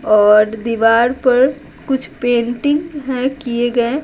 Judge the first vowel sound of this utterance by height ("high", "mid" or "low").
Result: mid